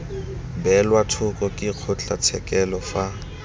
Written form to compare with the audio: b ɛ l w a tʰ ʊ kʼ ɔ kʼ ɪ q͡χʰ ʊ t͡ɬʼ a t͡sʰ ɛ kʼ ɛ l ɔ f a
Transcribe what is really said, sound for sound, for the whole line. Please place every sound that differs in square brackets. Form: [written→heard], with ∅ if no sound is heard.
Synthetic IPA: b ɛ l w a tʰ ʊ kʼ ɔ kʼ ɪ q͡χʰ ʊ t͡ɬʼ a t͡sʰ ɛ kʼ ɛ l ɔ f a

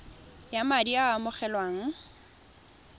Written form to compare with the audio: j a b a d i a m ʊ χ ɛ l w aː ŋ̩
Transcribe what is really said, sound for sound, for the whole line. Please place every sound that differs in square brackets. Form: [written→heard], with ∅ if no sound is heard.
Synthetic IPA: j a [b→m] a d i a m ʊ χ ɛ l w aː ŋ̩

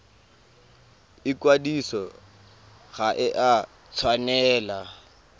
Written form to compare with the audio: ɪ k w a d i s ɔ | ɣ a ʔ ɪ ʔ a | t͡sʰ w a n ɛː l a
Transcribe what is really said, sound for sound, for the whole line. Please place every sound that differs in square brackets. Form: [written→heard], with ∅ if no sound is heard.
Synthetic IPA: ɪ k w a d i s ɔ | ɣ a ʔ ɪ ʔ a | t͡sʰ w a n ɛː l a

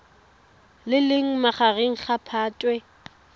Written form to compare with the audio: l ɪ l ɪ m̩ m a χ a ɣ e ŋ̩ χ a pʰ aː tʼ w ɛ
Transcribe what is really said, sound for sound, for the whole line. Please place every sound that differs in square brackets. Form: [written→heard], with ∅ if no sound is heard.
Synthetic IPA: l ɪ l ɪ [m̩→ŋ̩] m a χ a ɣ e ŋ̩ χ a pʰ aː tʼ w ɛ

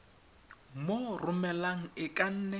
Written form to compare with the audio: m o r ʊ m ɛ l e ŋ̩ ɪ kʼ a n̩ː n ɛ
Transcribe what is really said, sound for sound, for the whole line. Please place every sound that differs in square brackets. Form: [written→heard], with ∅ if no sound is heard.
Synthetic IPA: m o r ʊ m ɛ l [e→a] ŋ̩ ɪ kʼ a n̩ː n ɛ

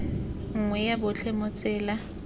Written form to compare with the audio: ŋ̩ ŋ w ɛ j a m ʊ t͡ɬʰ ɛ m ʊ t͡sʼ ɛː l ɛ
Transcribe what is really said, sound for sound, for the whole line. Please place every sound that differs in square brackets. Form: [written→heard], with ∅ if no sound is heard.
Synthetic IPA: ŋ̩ ŋ w ɛ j a [m→b] ʊ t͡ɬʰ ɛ m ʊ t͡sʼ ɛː l [ɛ→a]

